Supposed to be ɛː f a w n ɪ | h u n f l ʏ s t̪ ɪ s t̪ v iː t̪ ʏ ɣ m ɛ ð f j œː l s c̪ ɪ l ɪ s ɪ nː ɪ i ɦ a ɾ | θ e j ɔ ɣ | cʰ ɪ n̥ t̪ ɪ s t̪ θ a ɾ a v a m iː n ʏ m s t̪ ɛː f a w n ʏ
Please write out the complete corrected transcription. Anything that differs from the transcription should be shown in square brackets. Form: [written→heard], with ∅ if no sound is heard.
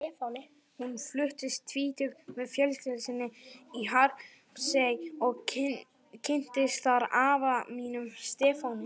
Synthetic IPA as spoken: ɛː f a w n ɪ | h u n f l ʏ [s→h] t̪ ɪ s [t̪→t̪ʰ] v iː t̪ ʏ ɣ m ɛ ð f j [œː→œ] l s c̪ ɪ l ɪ s ɪ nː ɪ i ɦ a ɾ | [θ→s] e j ɔ ɣ | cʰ ɪ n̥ t̪ ɪ s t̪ θ a ɾ a v a m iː n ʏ m s t̪ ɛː f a w n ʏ

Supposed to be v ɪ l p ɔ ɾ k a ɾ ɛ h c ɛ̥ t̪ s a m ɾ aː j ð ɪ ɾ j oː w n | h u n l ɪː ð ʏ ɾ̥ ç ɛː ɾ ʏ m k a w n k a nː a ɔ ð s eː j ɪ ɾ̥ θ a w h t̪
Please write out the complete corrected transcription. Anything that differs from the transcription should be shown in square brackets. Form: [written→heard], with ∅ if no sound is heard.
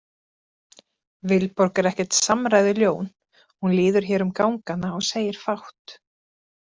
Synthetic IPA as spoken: v ɪ l p ɔ ɾ k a ɾ ɛ h c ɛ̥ t̪ s a m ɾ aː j ð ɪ [ɾ→l] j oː w n | h u n l ɪː ð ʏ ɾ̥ ç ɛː ɾ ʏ m k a w [n→ŋ] k a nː a ɔ [ð→ɣ] s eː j ɪ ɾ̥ [θ→f] a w h t̪

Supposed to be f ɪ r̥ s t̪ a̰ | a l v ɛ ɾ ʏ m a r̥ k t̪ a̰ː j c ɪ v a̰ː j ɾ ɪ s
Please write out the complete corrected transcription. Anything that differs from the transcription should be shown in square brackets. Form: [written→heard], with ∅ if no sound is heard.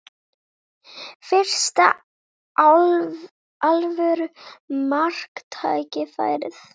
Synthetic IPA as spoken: f ɪ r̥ s t̪ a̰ | a l v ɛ ɾ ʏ m a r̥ k [t̪→t̪ʰ] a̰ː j c ɪ [v→f] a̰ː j ɾ ɪ [s→θ]

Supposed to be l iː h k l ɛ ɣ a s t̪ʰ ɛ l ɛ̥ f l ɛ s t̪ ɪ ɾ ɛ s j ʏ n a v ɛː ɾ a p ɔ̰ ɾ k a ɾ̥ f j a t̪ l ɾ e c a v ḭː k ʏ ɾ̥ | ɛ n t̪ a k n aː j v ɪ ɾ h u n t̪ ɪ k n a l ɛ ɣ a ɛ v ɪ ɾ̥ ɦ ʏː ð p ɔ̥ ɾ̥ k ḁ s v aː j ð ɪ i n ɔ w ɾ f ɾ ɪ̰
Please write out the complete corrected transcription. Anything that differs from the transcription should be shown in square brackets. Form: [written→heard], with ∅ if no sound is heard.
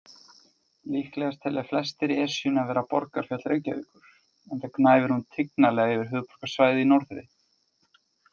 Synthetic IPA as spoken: l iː h k l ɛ ɣ a s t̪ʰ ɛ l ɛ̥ f l ɛ s t̪ ɪ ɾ ɛ s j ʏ n a v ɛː ɾ a p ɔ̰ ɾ k a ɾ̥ f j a t̪ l ɾ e c a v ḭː k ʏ ɾ̥ | ɛ n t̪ a k n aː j v ɪ ɾ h u n [t̪→t̪ʰ] ɪ k n a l ɛ ɣ a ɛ v ɪ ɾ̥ ɦ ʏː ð p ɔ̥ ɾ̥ k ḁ s v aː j ð ɪ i n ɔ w ɾ [f→θ] ɾ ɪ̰

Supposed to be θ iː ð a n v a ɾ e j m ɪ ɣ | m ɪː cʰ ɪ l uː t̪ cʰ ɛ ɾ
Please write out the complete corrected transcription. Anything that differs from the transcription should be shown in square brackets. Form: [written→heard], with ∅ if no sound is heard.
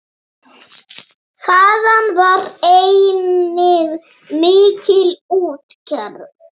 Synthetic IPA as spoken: θ [iː→aː] ð a n v a ɾ e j [m→n] ɪ ɣ | m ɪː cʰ ɪ l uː t̪ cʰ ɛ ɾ

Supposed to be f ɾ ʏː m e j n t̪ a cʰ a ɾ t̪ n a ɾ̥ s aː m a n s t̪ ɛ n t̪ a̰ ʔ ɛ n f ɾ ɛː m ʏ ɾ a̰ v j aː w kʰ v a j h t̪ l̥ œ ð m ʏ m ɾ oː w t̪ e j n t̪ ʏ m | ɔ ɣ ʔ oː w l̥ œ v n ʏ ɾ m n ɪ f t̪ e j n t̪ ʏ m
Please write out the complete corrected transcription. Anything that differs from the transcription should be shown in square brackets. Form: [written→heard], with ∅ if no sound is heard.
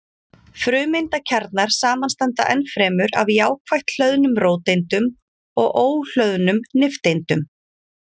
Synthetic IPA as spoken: f ɾ ʏː m e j n t̪ a cʰ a ɾ t̪ n a ɾ̥ s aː m a n s t̪ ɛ n t̪ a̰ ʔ ɛ n f ɾ ɛː m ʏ ɾ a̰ v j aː w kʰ v a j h t̪ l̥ œ ð [m→n] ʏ m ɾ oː w t̪ e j n t̪ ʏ m | ɔ ɣ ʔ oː w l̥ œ [v→ð] n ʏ [ɾ→∅] m n ɪ f t̪ e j n t̪ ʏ m

